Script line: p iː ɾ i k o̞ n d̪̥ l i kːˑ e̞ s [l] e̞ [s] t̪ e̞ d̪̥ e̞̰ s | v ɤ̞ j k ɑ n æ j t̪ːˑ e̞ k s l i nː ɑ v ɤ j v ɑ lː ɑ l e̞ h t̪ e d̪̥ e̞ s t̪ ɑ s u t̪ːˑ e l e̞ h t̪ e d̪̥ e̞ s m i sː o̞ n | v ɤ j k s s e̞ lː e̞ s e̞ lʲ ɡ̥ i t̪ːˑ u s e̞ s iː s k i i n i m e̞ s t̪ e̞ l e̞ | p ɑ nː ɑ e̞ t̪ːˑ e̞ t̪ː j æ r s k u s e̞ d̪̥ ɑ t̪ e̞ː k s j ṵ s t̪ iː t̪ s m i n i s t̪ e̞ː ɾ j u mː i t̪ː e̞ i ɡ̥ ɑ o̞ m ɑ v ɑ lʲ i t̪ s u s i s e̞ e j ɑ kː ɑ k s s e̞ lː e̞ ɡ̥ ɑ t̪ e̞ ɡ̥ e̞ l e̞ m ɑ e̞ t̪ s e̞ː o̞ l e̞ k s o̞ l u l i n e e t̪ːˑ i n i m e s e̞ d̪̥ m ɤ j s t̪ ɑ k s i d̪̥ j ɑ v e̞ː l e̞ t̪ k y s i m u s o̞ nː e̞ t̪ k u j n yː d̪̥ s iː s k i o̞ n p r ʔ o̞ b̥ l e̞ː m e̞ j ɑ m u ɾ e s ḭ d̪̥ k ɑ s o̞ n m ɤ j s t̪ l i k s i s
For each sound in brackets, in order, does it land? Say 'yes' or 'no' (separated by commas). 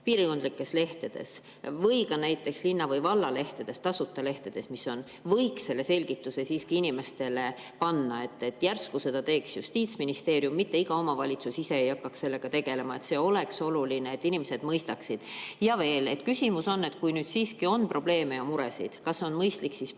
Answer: yes, no